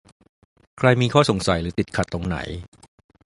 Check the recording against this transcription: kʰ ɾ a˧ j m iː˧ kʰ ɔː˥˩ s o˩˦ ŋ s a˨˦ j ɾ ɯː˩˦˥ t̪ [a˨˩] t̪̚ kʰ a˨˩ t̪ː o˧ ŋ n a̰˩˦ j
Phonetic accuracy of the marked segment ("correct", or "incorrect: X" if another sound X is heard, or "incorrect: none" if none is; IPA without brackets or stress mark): incorrect: i˨˩